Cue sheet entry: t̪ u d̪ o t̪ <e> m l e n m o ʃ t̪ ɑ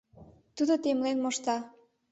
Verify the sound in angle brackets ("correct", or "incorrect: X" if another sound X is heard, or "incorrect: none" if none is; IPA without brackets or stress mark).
correct